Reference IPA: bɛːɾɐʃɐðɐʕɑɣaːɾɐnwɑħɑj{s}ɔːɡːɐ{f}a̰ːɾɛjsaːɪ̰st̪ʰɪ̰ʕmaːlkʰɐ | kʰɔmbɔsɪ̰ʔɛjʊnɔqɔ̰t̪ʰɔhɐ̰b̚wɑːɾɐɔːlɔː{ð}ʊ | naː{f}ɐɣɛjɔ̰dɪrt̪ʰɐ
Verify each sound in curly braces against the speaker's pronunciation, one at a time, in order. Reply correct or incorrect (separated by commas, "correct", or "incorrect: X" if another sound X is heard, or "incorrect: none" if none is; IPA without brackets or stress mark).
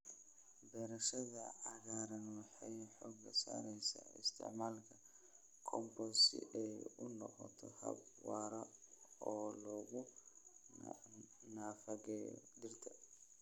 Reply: incorrect: ħ, incorrect: s, incorrect: ɣ, correct